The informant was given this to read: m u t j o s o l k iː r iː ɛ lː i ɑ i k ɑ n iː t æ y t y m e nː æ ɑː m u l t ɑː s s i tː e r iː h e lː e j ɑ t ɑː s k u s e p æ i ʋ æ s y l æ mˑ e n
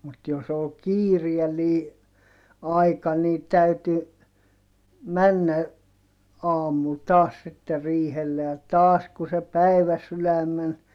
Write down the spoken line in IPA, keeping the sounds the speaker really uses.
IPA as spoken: m u t j o s o l k iː r i ɛ lː iː ɑ i k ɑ n iː t æ y t y m æ nː æ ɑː m u l t ɑː s s i tː e r iː h e lː e j ɑ t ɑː s k u s e p æ i ʋ æ s y l æ mˑ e n

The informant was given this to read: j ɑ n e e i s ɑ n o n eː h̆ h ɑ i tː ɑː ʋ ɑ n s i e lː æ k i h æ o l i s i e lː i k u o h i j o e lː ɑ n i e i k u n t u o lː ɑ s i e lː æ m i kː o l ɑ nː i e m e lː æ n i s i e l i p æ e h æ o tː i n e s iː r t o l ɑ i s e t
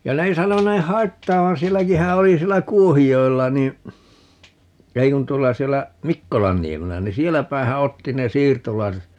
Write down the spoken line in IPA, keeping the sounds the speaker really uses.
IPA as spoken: j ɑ n e e i s ɑ n o n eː h̆ h ɑ i tː ɑː ʋ ɑ n s i e lː æ k i h æ o l i s i e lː æ k u o h i j o e lː ɑ n i e i k u n t u o lː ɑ s i e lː æ m i kː o l ɑ nː i e m e lː æ n i s i e l æ p æ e h æ o tː i n e s iː r t o l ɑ i s e t

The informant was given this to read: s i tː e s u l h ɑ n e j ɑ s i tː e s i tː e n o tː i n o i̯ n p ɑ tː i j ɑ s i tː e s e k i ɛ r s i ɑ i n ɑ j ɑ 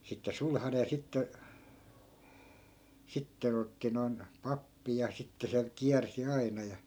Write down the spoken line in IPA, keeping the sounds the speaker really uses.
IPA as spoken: s i tː e s u l h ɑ n e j ɑ s i tː e s i tː e n o tː i n o i̯ n p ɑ pː i j ɑ s i tː e s e k i æ r s i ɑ i n ɑ j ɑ

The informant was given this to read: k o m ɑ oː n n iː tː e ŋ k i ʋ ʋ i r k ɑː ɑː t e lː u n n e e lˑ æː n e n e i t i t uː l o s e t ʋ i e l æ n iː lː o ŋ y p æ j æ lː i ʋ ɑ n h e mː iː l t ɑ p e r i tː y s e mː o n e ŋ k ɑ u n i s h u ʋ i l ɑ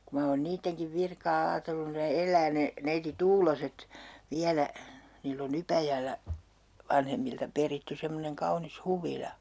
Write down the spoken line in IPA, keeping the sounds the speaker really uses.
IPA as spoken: k u m ɑ oː n n iː tː e ŋ k i ʋ ʋ i r k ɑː ɑː t e lː u n n e e lˑ æː n e n e i t i t uː l o s e t ʋ i æ l æ n iː lː o ŋ y p æ j æ lː æ ʋ ɑ n h e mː i l t ɑ p e r i tː y s e mː o n e ŋ k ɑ u n i s h u ʋ i l ɑ

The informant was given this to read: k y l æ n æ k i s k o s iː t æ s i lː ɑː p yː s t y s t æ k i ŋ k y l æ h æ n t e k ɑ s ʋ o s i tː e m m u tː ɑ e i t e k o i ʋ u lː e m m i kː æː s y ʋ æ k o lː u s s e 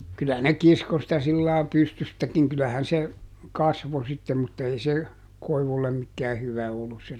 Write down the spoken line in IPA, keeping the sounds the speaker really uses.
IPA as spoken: k y l æ n e k i s k o s i t æ s i lː ɑː p y s t y s t æ k i ŋ k y l æ h æ n s e k ɑ s ʋ o s i tː e m m u tː ɑ e i s e k o i ʋ u lː e m m i kː æː h y ʋ æ o lː u s s e

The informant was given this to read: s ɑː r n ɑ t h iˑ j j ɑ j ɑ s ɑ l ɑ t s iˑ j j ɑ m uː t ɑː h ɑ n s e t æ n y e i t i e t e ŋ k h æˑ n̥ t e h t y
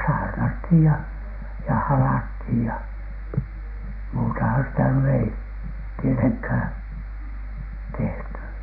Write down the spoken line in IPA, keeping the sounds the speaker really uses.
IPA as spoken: s ɑː r n ɑ t h iˑ j j ɑ j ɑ h ɑ l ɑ t h iˑ j j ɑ m uː t ɑ h ɑ n s i t æ n y e i t i e t e ŋ k h æˑ n̥ t e h t y

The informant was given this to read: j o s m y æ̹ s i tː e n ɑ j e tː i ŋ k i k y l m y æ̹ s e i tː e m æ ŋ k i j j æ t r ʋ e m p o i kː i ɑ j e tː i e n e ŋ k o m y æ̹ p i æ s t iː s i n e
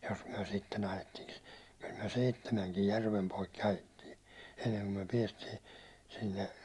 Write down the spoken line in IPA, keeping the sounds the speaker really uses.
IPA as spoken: j o s m y æ̹ s i tː e n ɑ j e tː i ŋ k i k y l m y æ̹ s e i tː e m æ ŋ k i j j æ r ʋ e m p o i kː i ɑ j e tː iː e nː e ŋ k o m y æ̹ p i ɛ s t iː s i nː e

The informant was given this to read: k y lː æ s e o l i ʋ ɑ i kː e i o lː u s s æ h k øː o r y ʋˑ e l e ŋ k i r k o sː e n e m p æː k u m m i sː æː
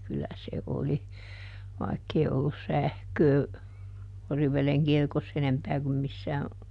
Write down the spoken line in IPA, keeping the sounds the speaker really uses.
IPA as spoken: k y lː æ s e o l i ʋ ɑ i kː e i o lː u s s æ h k øː o r i ʋˑ e l e ŋ k i r k o sː e n e m p æː k u m m i sː æː

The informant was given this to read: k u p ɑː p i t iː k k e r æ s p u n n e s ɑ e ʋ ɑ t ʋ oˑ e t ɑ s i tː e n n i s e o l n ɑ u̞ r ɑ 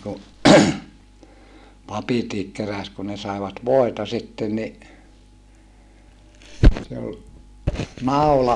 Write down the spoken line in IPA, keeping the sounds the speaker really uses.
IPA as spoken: k u p ɑ p i t iː k k e r æ s k u n n e s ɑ e ʋ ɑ t ʋ oˑ e t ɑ s i tː e n n i s e o l n ɑ u̞ l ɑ

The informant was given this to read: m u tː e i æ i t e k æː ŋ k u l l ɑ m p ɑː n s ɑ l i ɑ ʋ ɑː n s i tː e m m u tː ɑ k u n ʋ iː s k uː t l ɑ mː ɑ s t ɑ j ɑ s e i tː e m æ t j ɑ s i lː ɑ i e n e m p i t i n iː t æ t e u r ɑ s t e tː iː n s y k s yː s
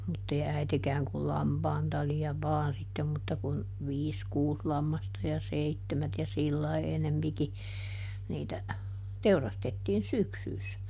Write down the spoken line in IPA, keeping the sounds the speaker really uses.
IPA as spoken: m u tː e i æ i t e k æː ŋ k u l l ɑ m p ɑː n t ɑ l i ɑ ʋ ɑː n s i tː e m m u tː ɑ k u n ʋ iː s k uː s l ɑ mː ɑ s t ɑ j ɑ s e i tː e m æ t j ɑ s i lː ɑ i e n e m p i k i n iː t æ t e u r ɑ s t e tː iː n s y k s yː s

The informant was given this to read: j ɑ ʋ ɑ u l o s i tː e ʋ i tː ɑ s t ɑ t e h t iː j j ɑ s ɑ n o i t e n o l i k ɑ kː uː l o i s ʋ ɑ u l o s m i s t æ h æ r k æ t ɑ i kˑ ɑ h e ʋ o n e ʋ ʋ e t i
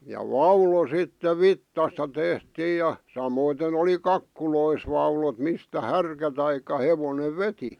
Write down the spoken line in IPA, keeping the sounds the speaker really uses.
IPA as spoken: j ɑ ʋ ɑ u l o s i tː e ʋ i tː ɑ s t ɑ t e h t iː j j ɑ s ɑ m o i t e n o l i k ɑ kː u l o i s ʋ ɑ u l o t m i s t æ h æ r k æ t ɑ i kˑ ɑ h e ʋ o n e ʋ ʋ e t i

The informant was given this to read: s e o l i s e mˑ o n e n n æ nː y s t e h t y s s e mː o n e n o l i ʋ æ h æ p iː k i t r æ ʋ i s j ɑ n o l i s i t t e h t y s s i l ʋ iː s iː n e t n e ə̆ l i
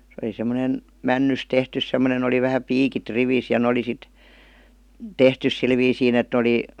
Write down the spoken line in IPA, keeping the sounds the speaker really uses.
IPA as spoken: s e o l i s e mˑ o n e n m æ nː y s t e h t y s s e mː o n e n o l i ʋ æ h æ p iː k i t r i ʋ i s j ɑ n o l i s i t t e h t y s s i l ʋ iː s iː n e t n e ə̆ l i

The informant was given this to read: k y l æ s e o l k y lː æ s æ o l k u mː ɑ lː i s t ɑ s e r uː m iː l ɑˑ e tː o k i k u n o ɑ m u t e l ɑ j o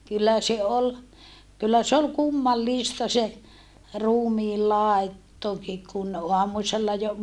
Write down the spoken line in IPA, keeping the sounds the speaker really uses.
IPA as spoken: k y lː æ s e o l k y lː æ s e o l k u mː ɑ lː i s t ɑ s e r uː m iː l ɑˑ e tː o k i k u n o ɑ m u s e lː ɑ j o

